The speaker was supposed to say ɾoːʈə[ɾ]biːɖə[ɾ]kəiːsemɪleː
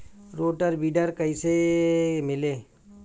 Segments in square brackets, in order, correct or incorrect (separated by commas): correct, correct